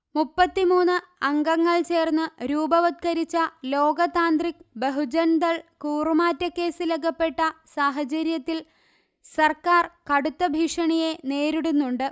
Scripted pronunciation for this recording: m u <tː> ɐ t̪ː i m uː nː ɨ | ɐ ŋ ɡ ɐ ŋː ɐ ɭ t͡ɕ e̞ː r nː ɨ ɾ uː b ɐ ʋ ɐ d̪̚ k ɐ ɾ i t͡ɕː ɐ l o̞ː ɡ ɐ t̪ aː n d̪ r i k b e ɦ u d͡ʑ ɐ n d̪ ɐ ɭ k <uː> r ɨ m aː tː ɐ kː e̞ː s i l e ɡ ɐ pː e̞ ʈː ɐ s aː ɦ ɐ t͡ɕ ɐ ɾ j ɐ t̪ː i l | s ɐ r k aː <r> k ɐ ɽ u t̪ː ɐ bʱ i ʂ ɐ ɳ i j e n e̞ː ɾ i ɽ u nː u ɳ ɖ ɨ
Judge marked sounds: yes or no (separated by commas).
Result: no, yes, yes